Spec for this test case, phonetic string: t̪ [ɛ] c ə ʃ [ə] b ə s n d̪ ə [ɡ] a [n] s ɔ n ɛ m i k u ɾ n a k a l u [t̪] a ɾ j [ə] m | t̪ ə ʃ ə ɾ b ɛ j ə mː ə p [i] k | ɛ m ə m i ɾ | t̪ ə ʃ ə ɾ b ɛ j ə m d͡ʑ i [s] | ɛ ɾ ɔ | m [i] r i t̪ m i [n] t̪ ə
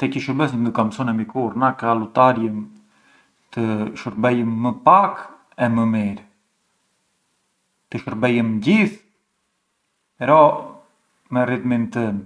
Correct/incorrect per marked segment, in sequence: correct, correct, incorrect, incorrect, correct, correct, incorrect, incorrect, incorrect, correct

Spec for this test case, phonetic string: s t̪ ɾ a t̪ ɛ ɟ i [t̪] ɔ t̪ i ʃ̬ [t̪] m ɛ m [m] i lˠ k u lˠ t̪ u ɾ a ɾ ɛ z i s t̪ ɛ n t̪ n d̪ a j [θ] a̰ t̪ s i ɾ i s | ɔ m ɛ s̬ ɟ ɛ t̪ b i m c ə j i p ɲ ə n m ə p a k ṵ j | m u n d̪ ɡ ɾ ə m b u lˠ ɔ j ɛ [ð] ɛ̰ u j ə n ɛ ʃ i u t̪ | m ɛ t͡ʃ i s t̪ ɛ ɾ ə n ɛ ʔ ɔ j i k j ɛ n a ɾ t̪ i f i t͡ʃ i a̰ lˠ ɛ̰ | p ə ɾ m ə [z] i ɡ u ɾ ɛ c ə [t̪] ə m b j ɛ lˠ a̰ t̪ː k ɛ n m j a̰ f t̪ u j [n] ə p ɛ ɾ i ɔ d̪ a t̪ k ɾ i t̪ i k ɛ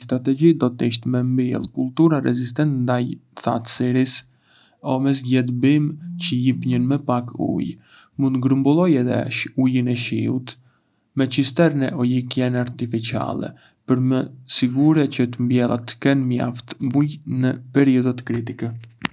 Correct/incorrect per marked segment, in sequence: incorrect, correct, incorrect, correct, correct, incorrect, correct, correct

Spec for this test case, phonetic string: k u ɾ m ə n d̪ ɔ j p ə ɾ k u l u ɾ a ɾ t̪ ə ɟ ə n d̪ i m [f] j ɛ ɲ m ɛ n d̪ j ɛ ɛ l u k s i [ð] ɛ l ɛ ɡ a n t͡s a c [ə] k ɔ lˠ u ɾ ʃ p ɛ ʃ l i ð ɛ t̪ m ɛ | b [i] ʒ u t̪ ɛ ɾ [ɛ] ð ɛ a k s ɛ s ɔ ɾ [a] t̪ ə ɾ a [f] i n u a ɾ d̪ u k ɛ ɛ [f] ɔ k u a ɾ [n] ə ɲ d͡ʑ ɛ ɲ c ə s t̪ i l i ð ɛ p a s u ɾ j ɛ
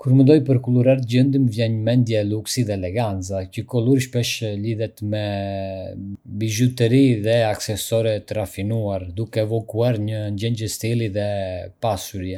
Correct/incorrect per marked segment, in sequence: incorrect, correct, correct, correct, incorrect, incorrect, correct, incorrect, incorrect

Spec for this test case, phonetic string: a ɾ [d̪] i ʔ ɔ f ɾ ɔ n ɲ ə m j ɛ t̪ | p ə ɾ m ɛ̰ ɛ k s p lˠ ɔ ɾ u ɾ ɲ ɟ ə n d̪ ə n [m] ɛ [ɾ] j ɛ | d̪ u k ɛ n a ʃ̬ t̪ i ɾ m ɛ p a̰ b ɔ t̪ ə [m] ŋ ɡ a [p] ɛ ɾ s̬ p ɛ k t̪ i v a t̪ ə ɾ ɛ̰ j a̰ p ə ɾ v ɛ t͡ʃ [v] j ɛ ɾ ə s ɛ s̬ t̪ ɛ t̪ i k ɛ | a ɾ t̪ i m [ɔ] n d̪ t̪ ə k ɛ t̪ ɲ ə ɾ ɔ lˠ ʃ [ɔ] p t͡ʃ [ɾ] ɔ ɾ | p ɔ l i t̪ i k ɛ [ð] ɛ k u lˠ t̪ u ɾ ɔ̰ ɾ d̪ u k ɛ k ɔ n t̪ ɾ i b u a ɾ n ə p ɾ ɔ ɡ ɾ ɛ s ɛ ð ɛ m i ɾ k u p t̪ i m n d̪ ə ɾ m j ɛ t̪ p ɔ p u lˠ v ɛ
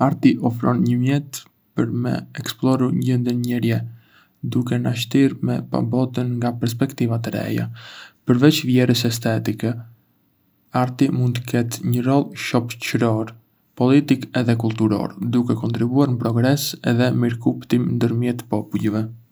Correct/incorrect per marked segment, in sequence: incorrect, incorrect, correct, incorrect, correct, correct, incorrect, correct, correct, correct

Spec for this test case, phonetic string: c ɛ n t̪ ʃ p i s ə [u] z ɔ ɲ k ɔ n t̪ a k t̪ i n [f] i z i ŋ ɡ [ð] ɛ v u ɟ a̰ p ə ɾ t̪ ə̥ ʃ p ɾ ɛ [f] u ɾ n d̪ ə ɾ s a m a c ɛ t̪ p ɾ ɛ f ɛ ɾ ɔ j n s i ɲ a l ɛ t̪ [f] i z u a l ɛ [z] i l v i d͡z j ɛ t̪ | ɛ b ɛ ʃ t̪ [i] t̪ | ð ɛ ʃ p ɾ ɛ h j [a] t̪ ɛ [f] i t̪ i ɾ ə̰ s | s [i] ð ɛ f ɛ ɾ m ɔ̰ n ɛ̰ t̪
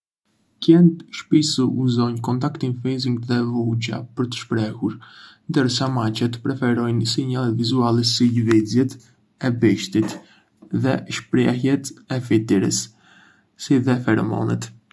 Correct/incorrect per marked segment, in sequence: correct, correct, correct, incorrect, incorrect, incorrect, correct, incorrect, correct, correct

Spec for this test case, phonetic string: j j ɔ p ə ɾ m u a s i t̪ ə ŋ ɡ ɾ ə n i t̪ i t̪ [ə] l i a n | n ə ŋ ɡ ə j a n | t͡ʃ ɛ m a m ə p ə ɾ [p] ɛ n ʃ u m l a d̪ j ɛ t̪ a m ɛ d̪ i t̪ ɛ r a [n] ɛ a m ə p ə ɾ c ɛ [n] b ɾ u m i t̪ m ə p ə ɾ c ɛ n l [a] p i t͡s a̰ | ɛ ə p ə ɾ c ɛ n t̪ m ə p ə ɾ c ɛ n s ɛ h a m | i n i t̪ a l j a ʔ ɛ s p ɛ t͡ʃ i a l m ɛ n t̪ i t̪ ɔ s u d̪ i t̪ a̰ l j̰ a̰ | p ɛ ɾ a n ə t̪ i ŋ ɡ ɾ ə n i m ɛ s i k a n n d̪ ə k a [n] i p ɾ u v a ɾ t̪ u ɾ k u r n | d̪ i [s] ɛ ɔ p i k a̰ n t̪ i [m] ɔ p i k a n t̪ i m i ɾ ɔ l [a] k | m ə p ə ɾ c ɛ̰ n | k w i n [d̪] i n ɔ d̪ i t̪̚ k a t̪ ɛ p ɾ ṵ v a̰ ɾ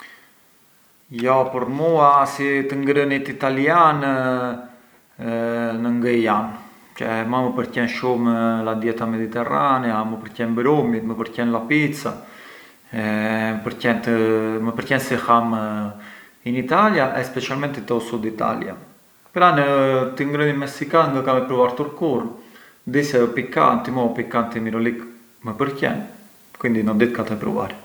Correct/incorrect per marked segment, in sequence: incorrect, incorrect, correct, correct, correct, incorrect, correct, correct, incorrect, correct

